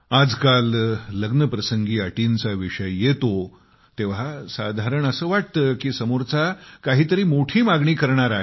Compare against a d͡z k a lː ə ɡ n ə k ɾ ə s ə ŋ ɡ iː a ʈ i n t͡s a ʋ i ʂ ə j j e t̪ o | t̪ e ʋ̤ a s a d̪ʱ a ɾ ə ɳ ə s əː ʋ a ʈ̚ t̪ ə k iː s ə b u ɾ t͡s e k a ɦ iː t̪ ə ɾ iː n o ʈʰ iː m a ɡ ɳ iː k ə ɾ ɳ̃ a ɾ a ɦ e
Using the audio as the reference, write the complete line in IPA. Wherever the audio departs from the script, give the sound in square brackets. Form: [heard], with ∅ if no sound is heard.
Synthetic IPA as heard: a d͡z k a lː ə ɡ n ə [p] ɾ ə s ə ŋ ɡ iː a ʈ i n t͡s a ʋ i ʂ ə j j e t̪ o | t̪ e ʋ̤ a s a d̪ʱ a ɾ ə ɳ ə s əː ʋ a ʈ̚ t̪ ə k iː s ə [m] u ɾ t͡s [a] k a ɦ iː t̪ ə ɾ iː [m] o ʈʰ iː m a ɡ ɳ iː k ə ɾ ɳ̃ a ɾ a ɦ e

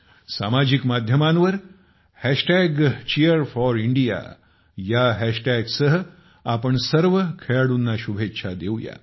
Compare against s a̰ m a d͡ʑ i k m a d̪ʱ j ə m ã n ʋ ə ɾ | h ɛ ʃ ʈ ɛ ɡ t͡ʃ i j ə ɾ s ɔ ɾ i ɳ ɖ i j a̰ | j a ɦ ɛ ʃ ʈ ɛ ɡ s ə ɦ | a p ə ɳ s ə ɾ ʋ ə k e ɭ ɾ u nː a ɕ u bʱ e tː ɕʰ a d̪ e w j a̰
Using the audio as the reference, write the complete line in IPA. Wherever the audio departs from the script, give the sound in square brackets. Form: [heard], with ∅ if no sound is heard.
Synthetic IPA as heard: s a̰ m a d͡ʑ i k m a d̪ʱ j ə m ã n ʋ ə ɾ | h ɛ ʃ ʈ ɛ ɡ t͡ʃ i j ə ɾ [f] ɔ ɾ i ɳ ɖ i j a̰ | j a ɦ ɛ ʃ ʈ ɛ ɡ s ə ɦ | a p ə ɳ s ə ɾ ʋ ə [kʰ] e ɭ [ɽ] u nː a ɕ u bʱ e tː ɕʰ a d̪ e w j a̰

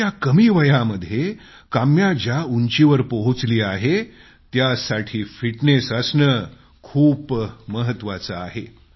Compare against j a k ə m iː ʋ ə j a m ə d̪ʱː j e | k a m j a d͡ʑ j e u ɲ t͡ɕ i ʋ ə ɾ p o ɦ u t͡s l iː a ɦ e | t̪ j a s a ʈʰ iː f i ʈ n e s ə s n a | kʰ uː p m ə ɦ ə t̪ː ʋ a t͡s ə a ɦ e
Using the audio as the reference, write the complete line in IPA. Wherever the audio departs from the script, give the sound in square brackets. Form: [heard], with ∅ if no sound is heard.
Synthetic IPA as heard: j a k ə m iː ʋ ə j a m ə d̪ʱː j e | k a m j a d͡ʑ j [a] u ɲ t͡ɕ i ʋ ə ɾ p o ɦ u t͡s l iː a ɦ e | t̪ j a s a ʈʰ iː f i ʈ n e s ə s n [ə] | kʰ uː p m ə ɦ ə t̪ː ʋ a t͡s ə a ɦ e

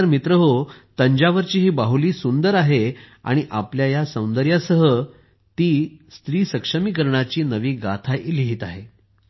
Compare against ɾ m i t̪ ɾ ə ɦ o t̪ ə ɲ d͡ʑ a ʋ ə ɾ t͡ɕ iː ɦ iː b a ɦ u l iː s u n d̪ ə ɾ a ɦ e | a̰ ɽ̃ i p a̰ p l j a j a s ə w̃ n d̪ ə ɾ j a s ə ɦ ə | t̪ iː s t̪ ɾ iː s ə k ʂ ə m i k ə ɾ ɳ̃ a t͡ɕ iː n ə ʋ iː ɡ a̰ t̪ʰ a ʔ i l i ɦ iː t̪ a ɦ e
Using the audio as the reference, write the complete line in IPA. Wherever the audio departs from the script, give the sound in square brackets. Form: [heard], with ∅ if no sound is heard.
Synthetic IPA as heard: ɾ m i t̪ ɾ ə ɦ o t̪ ə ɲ d͡ʑ a ʋ ə ɾ t͡ɕ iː ɦ iː b a ɦ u l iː s u n d̪ ə ɾ a ɦ e | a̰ ɽ̃ i [ʔ] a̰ p l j a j a s ə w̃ n d̪ ə ɾ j a s ə ɦ ə | t̪ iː s t̪ ɾ iː s ə k ʂ ə m i k ə ɾ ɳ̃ a t͡ɕ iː n ə ʋ iː ɡ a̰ t̪ʰ a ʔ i l i ɦ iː t̪ a ɦ e

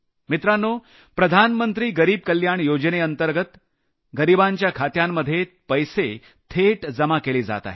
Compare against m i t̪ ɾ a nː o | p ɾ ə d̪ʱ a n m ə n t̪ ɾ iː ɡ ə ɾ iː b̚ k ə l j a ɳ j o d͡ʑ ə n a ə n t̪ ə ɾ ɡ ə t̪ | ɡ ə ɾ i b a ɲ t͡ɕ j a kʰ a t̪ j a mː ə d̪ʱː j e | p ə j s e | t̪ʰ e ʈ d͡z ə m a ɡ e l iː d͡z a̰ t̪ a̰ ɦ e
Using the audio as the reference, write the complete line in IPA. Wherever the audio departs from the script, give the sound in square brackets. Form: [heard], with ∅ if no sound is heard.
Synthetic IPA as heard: m i t̪ ɾ a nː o | p ɾ ə d̪ʱ a n m ə n t̪ ɾ iː ɡ ə ɾ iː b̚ k ə l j a ɳ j o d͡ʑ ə n [e] ə n t̪ ə ɾ ɡ ə t̪ | ɡ ə ɾ i b a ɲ t͡ɕ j a kʰ a t̪ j a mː ə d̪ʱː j e | p ə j s e | t̪ʰ e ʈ d͡z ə m a [k] e l iː d͡z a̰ t̪ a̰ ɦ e

